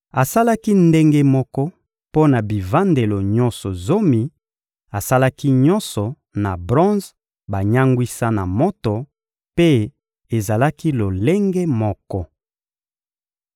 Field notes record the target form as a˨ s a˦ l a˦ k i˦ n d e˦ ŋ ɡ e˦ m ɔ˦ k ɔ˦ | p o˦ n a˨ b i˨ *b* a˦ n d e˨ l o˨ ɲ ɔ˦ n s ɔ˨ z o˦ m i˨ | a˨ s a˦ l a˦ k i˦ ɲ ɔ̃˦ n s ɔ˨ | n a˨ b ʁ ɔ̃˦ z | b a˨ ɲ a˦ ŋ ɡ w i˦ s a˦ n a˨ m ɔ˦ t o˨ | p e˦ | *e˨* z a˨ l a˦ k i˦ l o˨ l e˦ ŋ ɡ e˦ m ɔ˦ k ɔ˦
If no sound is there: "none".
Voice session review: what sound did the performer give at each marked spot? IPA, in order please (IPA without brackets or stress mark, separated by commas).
v, e˨